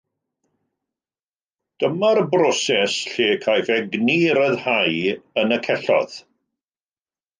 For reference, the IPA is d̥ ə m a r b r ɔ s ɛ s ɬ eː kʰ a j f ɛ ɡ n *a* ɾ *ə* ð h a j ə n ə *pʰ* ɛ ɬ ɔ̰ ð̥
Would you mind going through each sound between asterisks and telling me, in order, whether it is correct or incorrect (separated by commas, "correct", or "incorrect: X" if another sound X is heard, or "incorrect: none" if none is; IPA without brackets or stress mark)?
incorrect: i, correct, incorrect: kʰ